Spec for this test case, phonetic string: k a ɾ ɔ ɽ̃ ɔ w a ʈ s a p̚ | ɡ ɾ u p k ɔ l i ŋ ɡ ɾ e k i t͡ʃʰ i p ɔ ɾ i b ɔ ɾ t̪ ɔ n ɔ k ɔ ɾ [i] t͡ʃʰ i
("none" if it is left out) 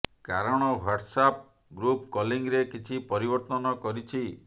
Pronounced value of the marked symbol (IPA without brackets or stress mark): i